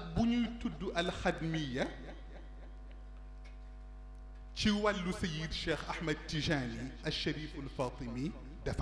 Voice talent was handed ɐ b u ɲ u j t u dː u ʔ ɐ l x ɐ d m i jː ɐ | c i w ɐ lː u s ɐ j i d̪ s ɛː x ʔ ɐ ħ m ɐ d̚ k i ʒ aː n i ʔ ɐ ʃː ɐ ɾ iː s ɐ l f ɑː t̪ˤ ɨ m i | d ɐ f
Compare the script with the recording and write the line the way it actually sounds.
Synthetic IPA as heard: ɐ b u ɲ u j t u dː u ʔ ɐ l x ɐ d m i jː ɐ | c i w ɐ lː u s ɐ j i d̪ ʃ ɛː x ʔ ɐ ħ m ɐ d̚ t i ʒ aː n i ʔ ɐ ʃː ɐ ɾ iː f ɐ l f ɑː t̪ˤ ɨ m i | d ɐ f